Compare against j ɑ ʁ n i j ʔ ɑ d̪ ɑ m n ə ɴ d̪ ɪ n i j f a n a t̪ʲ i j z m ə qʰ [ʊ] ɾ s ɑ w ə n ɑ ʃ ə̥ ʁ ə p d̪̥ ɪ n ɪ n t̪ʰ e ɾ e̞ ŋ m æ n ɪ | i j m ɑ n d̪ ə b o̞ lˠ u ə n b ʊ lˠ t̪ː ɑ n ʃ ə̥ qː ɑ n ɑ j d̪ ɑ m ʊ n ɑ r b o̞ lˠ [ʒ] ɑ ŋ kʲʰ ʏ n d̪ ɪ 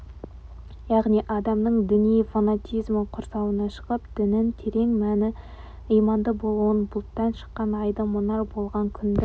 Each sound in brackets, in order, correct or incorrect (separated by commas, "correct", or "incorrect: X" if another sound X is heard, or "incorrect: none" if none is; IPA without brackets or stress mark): correct, incorrect: ʁ